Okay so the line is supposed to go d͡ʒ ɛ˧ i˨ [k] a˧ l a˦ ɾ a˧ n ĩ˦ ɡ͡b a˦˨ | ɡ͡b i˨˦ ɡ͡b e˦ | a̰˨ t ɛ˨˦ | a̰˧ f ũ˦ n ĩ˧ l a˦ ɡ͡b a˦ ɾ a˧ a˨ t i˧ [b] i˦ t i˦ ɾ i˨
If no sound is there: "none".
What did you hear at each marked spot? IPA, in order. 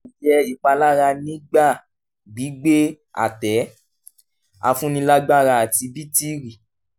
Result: k͡p, b

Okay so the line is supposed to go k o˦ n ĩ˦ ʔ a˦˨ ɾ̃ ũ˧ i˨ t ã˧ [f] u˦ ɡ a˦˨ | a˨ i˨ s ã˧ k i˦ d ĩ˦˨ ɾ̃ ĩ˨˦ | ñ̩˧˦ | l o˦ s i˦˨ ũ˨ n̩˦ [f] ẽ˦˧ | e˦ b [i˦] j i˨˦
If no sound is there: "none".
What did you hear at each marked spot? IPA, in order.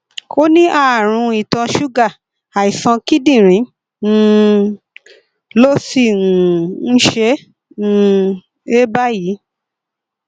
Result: ʃ, ʃ, a˦

